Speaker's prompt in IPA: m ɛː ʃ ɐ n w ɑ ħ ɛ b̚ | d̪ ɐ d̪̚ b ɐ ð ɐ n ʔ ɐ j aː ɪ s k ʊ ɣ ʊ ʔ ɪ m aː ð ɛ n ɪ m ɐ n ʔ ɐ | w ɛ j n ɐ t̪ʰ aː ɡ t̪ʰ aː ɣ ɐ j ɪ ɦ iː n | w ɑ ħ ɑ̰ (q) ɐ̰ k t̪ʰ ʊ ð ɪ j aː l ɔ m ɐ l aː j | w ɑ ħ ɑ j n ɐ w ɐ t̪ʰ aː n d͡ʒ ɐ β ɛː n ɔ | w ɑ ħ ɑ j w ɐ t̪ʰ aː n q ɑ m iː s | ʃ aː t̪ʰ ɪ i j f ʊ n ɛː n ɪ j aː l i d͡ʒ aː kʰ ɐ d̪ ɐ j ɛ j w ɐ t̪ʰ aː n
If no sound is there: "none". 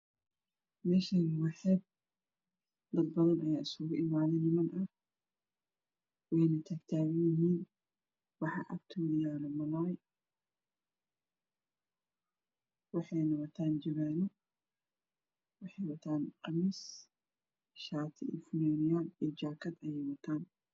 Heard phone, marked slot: ʔ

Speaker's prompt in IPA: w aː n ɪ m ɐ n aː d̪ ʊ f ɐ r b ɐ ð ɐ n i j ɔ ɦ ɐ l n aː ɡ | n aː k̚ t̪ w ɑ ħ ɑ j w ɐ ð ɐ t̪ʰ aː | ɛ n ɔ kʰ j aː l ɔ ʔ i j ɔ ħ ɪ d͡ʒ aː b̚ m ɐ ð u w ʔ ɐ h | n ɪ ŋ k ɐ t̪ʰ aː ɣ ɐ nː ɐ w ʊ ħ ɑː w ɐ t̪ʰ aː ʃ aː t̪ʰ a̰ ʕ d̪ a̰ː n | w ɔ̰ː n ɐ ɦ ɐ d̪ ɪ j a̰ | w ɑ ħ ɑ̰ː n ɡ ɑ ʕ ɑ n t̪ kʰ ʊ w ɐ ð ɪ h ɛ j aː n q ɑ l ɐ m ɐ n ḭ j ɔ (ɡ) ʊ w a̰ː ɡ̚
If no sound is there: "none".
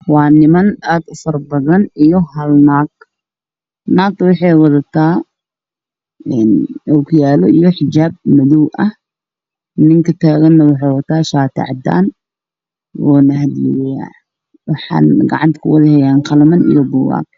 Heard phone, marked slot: b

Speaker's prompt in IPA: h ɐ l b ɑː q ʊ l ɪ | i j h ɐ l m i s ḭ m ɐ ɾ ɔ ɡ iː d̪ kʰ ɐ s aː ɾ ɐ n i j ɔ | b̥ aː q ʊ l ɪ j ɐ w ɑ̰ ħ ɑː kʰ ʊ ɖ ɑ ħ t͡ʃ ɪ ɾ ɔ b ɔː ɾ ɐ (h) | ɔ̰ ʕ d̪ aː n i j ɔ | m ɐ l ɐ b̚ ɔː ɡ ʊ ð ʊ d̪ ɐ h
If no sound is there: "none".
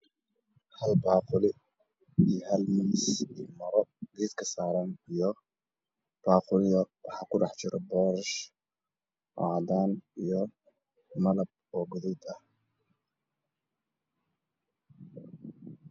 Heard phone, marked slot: ʃ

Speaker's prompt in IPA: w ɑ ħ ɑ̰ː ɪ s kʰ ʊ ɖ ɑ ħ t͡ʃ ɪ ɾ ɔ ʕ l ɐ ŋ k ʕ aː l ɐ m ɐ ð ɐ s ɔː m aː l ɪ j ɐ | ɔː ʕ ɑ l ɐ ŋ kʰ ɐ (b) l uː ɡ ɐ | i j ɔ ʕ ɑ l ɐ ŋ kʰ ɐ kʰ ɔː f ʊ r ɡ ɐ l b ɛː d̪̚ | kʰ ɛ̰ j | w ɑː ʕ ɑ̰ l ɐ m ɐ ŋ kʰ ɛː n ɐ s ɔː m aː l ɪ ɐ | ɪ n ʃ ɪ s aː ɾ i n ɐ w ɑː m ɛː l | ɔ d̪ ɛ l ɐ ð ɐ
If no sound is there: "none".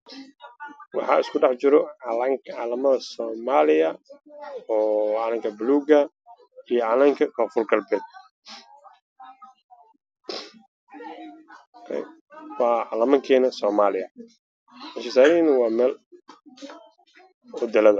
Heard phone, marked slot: b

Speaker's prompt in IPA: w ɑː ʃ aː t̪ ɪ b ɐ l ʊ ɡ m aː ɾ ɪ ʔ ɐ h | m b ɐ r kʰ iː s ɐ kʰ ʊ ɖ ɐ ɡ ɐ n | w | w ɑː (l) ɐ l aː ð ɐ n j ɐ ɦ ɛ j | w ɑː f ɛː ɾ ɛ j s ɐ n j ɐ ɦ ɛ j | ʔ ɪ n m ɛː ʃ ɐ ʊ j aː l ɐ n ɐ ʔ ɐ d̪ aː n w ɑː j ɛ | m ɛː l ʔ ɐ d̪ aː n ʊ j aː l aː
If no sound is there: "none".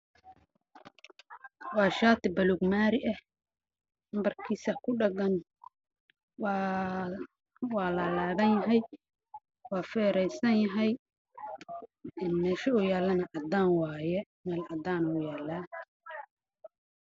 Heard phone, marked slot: l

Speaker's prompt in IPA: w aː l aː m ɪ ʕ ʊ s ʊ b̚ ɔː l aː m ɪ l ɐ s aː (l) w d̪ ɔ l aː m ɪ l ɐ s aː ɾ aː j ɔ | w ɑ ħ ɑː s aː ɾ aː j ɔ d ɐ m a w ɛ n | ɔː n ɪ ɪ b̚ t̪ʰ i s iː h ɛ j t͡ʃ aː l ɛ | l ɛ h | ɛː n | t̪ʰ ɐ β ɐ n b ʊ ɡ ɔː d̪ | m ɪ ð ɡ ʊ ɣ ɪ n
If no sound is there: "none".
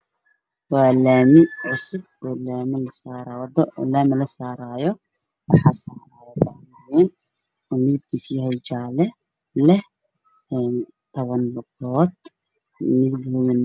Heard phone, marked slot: ɾ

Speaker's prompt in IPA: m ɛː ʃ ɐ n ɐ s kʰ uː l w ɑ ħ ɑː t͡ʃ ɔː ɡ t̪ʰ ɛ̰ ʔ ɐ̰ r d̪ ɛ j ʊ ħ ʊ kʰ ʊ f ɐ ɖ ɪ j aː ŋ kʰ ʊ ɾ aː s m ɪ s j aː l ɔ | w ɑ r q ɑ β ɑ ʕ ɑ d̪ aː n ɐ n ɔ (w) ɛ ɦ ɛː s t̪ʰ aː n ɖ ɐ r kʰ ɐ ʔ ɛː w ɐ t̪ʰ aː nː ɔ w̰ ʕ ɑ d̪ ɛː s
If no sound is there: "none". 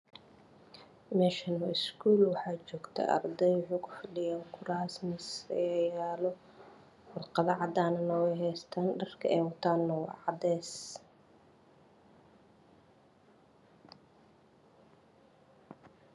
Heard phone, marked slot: w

